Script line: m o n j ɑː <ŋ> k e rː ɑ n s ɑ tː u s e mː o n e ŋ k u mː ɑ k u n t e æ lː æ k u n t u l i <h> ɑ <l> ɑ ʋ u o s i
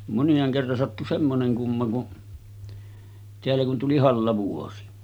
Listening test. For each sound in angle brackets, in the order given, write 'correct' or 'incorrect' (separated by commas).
correct, correct, incorrect